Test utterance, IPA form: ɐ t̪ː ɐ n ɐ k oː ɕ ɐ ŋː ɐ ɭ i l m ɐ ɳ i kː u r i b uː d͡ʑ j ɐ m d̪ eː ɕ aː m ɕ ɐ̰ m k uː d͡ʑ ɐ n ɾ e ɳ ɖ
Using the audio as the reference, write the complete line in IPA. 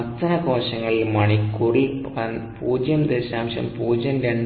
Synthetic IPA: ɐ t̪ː ɐ n ɐ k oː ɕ ɐ ŋː ɐ ɭ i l m ɐ ɳ i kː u r i p uː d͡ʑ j ɐ m d̪ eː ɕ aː m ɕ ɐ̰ m p uː d͡ʑ ɐ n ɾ e ɳ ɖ